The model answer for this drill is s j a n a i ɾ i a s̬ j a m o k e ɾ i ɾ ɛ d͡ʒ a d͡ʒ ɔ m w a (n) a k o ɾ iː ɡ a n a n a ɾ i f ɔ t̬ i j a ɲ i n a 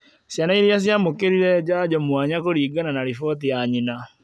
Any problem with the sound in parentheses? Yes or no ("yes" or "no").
yes